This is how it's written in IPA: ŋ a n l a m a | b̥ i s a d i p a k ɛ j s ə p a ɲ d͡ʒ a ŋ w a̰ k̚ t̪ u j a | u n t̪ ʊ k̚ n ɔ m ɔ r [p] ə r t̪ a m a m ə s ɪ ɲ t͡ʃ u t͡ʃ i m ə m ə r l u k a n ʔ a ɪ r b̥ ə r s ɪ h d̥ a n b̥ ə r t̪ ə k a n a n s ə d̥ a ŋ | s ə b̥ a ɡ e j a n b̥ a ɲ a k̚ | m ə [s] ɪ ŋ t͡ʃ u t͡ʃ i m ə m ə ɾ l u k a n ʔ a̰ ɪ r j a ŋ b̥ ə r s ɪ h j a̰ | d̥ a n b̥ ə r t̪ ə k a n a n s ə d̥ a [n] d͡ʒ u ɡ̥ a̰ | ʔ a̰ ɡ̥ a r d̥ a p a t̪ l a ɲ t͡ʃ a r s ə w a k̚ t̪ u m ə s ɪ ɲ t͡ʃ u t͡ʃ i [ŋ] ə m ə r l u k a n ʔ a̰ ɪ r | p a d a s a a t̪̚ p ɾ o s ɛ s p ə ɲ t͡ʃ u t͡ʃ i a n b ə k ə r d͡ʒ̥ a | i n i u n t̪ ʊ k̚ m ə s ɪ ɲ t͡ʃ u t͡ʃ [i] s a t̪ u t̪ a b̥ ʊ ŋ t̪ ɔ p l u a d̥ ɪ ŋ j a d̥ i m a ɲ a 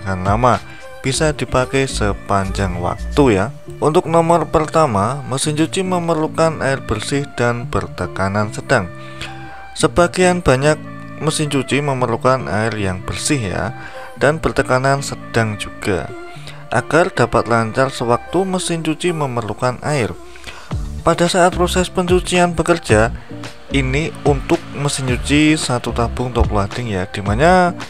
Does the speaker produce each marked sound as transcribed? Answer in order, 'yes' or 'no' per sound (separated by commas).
yes, yes, no, no, yes